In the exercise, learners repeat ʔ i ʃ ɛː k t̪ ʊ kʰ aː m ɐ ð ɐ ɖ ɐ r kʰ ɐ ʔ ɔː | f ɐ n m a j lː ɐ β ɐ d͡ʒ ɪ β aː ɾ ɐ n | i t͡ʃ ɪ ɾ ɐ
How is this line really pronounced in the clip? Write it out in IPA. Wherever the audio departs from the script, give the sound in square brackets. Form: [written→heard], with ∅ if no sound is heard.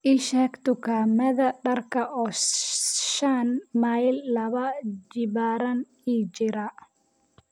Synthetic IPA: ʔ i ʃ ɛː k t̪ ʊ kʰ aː m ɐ ð ɐ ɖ ɐ r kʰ ɐ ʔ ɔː | [f→ʃ] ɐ n m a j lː ɐ β ɐ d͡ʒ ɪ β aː ɾ ɐ n | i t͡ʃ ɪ ɾ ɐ